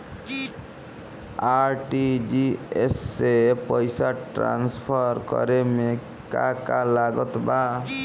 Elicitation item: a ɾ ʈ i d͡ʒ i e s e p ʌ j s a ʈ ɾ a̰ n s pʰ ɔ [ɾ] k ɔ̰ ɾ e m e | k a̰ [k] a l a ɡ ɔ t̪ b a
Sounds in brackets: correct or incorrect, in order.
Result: correct, correct

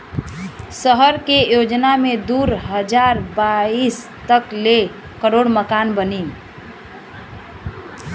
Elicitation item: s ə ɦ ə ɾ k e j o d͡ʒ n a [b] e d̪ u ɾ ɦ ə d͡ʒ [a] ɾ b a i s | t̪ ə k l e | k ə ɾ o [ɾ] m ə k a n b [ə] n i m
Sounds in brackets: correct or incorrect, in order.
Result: incorrect, correct, incorrect, correct

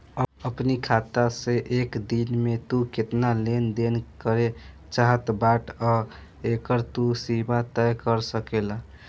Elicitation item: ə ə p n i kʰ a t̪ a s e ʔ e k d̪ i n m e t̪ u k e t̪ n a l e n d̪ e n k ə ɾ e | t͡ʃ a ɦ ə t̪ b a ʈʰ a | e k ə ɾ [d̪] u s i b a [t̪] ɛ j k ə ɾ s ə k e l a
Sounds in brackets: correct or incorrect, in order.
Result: incorrect, correct

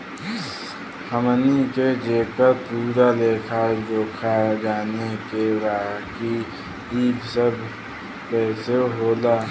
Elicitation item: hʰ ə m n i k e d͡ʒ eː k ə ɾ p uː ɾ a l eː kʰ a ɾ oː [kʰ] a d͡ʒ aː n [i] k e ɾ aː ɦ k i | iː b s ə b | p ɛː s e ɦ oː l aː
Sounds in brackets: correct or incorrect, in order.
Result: correct, incorrect

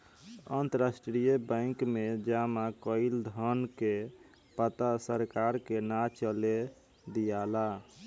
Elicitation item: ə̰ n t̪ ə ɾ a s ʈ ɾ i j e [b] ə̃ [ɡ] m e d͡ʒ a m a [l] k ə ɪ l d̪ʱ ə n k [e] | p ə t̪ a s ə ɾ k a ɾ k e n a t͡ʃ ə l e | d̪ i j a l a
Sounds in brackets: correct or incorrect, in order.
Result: correct, incorrect, incorrect, correct

